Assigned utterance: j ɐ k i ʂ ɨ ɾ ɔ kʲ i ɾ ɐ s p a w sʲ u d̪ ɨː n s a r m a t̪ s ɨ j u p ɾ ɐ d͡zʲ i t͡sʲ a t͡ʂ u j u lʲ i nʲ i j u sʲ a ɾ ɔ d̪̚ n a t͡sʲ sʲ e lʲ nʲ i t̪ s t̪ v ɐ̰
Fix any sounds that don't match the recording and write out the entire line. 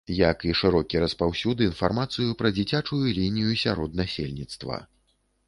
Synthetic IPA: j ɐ k i ʂ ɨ ɾ ɔ kʲ i ɾ ɐ s p a w sʲ u d̪ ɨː n f a r m a t̪ s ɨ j u p ɾ ɐ d͡zʲ i t͡sʲ a t͡ʂ u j u lʲ i nʲ i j u sʲ a ɾ ɔ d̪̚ n a sʲ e lʲ nʲ i t̪ s t̪ v ɐ̰